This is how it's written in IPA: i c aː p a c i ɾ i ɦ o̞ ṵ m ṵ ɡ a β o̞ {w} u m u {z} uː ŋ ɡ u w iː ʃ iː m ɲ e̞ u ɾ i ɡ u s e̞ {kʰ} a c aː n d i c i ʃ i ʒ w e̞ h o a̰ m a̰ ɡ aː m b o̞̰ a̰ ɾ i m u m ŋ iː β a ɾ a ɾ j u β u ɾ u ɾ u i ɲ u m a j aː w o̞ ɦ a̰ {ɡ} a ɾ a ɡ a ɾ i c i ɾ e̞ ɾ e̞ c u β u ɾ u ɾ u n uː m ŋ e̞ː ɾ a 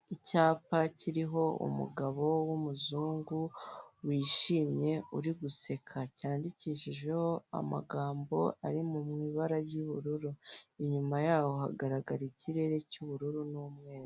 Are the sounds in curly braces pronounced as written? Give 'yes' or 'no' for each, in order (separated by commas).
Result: yes, yes, yes, yes